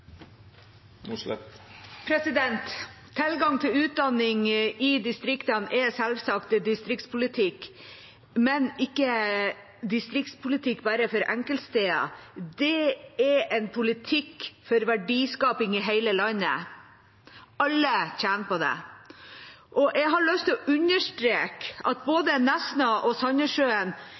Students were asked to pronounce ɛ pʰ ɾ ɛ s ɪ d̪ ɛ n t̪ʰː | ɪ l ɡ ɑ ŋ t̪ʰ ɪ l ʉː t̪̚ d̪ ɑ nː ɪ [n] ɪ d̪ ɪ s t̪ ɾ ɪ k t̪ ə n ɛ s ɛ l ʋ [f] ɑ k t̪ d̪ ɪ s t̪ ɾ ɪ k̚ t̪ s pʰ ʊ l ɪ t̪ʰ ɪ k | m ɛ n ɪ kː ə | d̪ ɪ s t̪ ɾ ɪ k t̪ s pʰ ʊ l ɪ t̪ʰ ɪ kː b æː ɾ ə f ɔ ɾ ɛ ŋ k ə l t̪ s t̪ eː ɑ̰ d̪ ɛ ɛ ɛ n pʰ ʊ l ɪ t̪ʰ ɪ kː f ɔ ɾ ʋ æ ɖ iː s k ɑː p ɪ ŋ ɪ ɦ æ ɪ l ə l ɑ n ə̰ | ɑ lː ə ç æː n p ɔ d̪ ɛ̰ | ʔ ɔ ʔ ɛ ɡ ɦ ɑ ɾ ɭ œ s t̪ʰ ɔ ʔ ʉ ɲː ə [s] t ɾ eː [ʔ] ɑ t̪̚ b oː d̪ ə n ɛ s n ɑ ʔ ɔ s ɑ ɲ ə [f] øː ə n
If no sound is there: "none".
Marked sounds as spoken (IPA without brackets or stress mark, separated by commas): ŋ, s, ʂ, k, ʂ